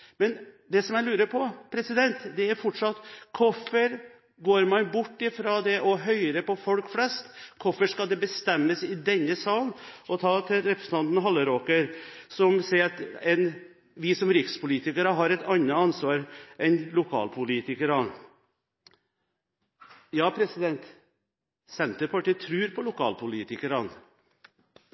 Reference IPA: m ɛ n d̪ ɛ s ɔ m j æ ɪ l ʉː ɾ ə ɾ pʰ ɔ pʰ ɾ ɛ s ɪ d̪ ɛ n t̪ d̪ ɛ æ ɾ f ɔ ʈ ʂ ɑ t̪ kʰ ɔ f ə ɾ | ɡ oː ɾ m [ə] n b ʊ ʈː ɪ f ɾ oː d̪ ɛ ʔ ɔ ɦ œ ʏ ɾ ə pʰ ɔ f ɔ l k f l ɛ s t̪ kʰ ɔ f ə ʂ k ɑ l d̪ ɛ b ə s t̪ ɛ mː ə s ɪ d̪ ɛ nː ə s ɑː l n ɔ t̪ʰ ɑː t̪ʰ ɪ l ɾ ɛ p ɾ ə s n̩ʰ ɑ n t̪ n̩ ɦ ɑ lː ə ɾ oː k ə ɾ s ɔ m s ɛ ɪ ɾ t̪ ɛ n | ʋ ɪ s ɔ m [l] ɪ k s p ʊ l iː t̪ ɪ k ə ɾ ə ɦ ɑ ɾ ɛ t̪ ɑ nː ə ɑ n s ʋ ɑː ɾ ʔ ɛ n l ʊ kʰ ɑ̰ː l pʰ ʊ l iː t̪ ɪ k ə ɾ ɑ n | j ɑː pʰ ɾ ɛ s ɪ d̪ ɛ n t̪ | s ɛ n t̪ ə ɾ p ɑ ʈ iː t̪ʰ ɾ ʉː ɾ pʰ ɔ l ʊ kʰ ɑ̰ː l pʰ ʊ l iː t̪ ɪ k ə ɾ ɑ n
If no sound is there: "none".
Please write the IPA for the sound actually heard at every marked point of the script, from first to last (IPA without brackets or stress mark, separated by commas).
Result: ɑ, ɾ